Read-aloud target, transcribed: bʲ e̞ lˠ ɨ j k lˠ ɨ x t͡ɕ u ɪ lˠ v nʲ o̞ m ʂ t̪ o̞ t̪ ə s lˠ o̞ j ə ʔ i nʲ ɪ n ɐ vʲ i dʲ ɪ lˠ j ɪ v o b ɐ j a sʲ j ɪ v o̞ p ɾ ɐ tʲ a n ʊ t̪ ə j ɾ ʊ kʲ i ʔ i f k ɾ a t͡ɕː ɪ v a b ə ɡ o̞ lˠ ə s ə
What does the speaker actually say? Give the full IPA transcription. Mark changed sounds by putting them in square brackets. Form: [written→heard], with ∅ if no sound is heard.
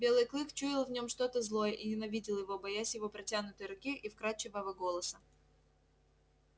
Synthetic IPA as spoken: bʲ e̞ lˠ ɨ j k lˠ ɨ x t͡ɕ u ɪ lˠ v nʲ o̞ m ʂ t̪ o̞ t̪ ə [s→z] lˠ o̞ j ə ʔ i nʲ ɪ n ɐ vʲ i dʲ ɪ lˠ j ɪ v o b ɐ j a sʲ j ɪ v o̞ p ɾ ɐ tʲ a n ʊ t̪ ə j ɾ ʊ kʲ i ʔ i f k ɾ a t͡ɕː ɪ v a [b→v] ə ɡ o̞ lˠ ə s ə